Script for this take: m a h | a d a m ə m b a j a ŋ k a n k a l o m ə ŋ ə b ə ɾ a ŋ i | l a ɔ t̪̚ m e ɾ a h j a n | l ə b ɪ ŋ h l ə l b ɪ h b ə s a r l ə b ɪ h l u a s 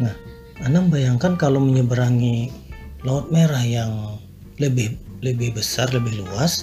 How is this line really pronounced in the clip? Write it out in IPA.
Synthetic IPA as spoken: n a h | a n a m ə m b a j a ŋ k a n k a l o m ə ɲ ə b ə ɾ a ŋ i | l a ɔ t̪̚ m e ɾ a h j a ŋ | l ə b ɪ h l ə b ɪ h b ə s a r l ə b ɪ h l u a s